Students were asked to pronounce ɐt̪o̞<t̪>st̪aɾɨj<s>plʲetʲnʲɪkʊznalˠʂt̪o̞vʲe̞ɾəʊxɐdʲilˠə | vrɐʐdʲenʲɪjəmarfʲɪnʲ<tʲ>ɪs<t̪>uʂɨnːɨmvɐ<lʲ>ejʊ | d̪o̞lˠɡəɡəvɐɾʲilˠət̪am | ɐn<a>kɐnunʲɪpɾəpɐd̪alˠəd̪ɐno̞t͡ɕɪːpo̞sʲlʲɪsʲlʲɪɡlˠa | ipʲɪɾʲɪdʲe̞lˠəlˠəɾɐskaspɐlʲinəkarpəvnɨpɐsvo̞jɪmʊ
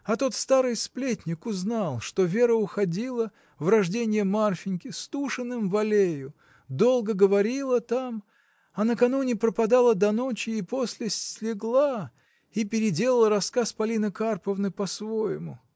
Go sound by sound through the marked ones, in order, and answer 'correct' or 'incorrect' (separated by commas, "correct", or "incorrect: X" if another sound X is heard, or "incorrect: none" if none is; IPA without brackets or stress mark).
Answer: correct, correct, incorrect: kʲ, correct, correct, incorrect: ə